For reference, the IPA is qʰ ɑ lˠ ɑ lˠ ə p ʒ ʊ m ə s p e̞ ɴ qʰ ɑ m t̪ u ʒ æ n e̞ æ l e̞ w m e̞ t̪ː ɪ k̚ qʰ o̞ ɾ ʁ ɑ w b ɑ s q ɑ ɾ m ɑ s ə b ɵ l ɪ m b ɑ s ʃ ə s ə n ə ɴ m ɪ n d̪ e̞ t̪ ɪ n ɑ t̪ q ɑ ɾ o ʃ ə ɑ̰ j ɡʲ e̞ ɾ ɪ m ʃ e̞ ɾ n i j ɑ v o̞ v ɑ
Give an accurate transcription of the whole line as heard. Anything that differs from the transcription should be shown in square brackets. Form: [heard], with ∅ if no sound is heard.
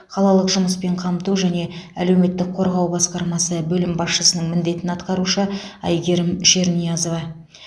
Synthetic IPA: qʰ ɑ lˠ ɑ lˠ ə [q] ʒ ʊ m ə s p e̞ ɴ qʰ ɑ m t̪ u ʒ æ n e̞ æ l e̞ w m e̞ t̪ː ɪ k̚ qʰ o̞ ɾ ʁ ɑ w b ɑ s q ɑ ɾ m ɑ s ə b ɵ l ɪ m b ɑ s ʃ ə s ə n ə ɴ m ɪ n d̪ e̞ t̪ ɪ n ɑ t̪ q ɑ ɾ [u] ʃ ə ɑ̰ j ɡʲ e̞ ɾ ɪ m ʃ e̞ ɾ n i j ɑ [z] o̞ v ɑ

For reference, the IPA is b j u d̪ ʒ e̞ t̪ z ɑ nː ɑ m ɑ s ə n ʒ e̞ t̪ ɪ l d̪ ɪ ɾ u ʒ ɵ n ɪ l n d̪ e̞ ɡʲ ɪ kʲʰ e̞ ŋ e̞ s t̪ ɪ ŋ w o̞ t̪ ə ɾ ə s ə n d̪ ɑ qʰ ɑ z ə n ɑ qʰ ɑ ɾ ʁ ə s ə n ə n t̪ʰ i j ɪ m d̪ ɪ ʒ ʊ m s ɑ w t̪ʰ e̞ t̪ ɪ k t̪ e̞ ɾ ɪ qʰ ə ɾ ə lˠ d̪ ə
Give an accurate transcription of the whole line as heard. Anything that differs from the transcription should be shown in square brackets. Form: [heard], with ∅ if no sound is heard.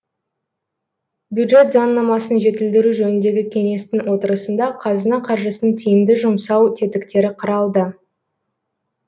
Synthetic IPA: b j u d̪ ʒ e̞ t̪ z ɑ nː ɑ m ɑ s ə n ʒ e̞ t̪ ɪ l d̪ ɪ ɾ u ʒ ɵ n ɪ [∅] n d̪ e̞ ɡʲ ɪ kʲʰ e̞ ŋ e̞ s t̪ ɪ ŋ w o̞ t̪ ə ɾ ə s ə n d̪ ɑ qʰ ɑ z ə n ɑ qʰ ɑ ɾ [ʒ] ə s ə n ə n t̪ʰ i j ɪ m d̪ ɪ ʒ ʊ m s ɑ w t̪ʰ e̞ t̪ ɪ k t̪ e̞ ɾ ɪ qʰ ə ɾ [ɑ] lˠ d̪ ə

